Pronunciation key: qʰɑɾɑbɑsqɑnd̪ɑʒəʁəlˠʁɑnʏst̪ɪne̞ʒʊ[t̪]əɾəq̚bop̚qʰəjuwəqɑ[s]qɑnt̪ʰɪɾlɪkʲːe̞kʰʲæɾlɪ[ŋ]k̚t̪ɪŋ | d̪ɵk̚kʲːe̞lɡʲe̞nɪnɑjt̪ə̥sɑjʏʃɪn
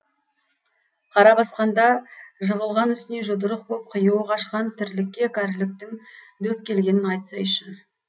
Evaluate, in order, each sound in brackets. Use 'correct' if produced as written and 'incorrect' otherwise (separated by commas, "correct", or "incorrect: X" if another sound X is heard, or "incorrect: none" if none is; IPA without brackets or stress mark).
incorrect: d̪, incorrect: ʃ, incorrect: none